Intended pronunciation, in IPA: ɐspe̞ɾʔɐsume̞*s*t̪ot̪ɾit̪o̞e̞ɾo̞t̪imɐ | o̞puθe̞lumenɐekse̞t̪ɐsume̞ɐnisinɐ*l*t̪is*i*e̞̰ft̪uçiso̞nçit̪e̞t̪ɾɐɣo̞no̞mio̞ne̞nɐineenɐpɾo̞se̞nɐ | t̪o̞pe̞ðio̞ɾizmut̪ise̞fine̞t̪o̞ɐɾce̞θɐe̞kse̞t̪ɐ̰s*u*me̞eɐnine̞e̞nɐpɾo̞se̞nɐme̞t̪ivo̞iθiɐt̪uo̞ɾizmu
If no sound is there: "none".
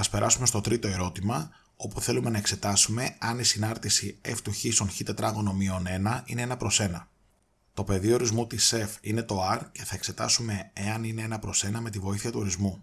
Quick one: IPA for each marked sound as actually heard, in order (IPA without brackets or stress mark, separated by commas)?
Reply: s, ɾ, i, u